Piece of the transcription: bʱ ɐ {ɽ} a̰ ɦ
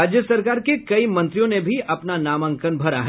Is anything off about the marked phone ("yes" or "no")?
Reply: yes